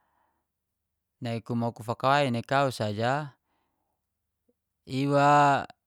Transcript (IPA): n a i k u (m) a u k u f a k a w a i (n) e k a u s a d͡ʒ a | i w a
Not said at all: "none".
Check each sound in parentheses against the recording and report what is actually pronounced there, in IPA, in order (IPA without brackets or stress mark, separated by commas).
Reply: m, n